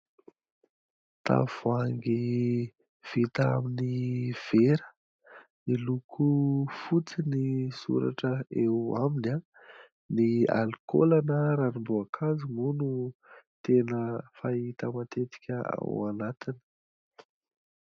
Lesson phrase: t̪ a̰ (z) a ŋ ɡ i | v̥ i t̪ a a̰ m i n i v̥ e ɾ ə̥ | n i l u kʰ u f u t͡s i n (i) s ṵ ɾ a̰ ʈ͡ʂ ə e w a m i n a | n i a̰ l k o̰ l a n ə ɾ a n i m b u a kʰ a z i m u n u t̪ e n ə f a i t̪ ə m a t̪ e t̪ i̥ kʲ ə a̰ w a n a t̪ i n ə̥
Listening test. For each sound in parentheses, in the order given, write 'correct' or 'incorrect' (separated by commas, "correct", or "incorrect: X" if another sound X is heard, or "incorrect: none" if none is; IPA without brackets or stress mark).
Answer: incorrect: v, correct